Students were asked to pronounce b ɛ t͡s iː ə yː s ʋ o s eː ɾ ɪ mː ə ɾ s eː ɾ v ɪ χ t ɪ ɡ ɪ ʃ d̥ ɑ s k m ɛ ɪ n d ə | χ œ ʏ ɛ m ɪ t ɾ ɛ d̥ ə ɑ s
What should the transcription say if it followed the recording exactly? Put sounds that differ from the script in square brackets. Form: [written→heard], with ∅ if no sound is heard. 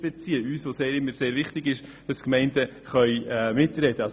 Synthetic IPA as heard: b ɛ t͡s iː ə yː s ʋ o s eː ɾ ɪ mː ə ɾ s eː ɾ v ɪ χ t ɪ ɡ ɪ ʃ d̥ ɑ s k m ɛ ɪ n d ə | χ œ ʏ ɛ m ɪ t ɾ ɛ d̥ ə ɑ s